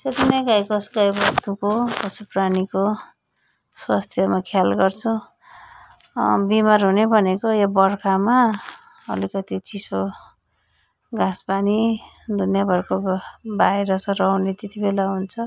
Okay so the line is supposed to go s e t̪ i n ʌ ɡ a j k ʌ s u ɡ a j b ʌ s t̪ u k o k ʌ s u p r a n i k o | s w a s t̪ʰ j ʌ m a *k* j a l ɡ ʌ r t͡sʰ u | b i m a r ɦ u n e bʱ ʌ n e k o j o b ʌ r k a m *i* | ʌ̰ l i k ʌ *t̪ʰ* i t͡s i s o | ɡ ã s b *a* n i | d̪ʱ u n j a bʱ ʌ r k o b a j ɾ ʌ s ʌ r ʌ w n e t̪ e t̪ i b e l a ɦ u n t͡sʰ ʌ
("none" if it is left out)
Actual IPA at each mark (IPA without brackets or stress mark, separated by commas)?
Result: kʰ, a, t̪, a